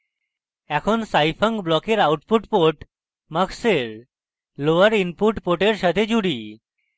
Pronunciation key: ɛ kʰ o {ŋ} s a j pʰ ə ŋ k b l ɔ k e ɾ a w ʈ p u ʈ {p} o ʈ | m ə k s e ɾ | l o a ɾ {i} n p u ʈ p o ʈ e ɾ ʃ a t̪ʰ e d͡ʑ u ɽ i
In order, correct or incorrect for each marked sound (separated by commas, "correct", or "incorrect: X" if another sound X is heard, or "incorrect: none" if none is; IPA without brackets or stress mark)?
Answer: incorrect: n, correct, correct